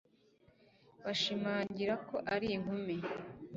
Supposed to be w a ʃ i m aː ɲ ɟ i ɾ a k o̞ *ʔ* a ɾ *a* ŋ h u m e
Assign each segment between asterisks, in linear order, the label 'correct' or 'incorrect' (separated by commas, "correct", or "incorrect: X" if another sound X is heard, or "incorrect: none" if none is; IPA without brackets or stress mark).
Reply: correct, incorrect: i